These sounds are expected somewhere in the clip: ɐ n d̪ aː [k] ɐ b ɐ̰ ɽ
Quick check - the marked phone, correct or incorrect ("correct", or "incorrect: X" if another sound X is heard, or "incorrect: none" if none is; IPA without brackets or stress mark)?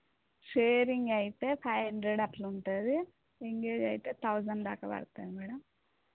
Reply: correct